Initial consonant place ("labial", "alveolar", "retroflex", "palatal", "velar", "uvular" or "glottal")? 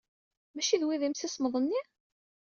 labial